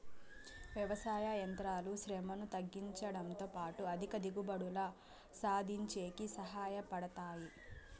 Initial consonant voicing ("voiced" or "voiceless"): voiced